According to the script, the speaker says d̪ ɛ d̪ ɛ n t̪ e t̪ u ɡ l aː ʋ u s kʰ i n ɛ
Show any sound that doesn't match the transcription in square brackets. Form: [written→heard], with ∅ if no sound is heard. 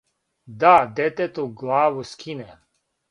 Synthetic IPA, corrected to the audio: d̪ [ɛ→a] d̪ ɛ [n→∅] t̪ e t̪ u ɡ l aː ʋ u s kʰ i n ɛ